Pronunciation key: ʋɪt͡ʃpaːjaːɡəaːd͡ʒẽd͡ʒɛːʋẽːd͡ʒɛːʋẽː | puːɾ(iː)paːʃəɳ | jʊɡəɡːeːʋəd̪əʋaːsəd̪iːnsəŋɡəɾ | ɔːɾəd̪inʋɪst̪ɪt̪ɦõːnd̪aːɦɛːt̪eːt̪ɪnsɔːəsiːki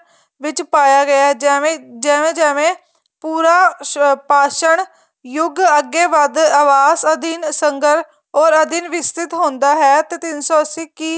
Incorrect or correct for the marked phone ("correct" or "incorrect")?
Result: incorrect